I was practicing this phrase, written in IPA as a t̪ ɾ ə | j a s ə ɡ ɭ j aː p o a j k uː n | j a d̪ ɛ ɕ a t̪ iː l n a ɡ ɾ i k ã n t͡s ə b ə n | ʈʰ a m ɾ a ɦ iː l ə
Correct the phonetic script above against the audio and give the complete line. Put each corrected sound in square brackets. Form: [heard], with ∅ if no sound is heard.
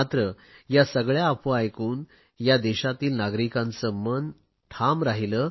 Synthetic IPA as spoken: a t̪ ɾ ə | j a s ə ɡ ɭ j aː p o a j k uː n | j a d̪ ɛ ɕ a t̪ iː l n a ɡ ɾ i k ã n t͡s ə [m] ə n | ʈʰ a m ɾ a ɦ [i] l ə

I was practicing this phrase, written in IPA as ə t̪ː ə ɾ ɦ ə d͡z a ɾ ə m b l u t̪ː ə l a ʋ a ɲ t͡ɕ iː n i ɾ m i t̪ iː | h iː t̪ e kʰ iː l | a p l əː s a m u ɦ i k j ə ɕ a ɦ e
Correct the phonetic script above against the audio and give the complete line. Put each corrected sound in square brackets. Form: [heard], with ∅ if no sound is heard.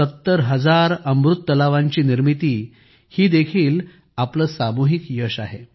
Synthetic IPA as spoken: ə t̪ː ə ɾ ɦ ə d͡z a ɾ ə m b [ɾ] u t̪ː ə l a ʋ a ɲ t͡ɕ iː n i ɾ m i t̪ iː | h iː [d̪] e kʰ iː l | a p l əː s a m u ɦ i k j ə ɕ a ɦ e

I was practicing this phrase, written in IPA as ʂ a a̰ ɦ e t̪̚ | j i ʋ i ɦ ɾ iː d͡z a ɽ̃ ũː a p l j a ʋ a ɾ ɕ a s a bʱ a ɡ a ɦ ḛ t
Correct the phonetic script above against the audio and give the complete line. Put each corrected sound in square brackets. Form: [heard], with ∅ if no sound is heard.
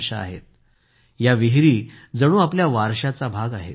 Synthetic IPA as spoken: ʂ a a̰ ɦ e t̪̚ | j [a] ʋ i ɦ ɾ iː d͡z [ə] ɽ̃ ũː a p l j a ʋ a ɾ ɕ a [t͡s] a bʱ a ɡ a ɦ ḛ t

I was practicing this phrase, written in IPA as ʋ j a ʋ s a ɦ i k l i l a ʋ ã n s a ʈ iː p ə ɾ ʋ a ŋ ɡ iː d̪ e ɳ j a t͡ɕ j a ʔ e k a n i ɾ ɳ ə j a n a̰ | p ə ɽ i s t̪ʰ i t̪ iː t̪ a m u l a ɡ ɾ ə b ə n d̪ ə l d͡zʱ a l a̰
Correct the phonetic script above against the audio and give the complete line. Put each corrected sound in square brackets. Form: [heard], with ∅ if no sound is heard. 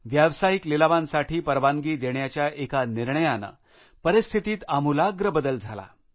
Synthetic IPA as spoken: ʋ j a ʋ s a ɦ i k l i l a ʋ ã n s a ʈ iː p ə ɾ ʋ a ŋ ɡ iː d̪ e ɳ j a t͡ɕ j a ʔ e k a n i ɾ ɳ ə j a n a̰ | p ə [ɾ] i s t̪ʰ i t̪ iː t̪ a m u l a ɡ ɾ ə b ə [∅] d̪ ə l d͡zʱ a l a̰

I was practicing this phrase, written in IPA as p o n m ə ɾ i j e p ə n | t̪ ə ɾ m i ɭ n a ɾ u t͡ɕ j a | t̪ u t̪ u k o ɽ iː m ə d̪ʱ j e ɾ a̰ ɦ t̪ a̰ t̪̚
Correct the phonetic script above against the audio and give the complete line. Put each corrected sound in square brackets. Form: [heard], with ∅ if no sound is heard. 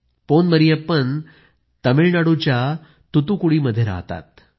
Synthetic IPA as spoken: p o n m ə ɾ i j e p ə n | t̪ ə [∅] m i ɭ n a [ɽ] u t͡ɕ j a | t̪ u t̪ u k [u] ɽ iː m ə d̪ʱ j e ɾ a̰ ɦ t̪ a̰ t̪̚

